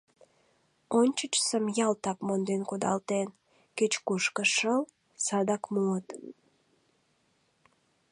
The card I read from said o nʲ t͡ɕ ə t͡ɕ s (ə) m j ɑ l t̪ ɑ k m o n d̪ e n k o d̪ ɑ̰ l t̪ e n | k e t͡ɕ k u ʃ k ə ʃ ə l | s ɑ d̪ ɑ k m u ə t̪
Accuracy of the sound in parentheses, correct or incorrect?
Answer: correct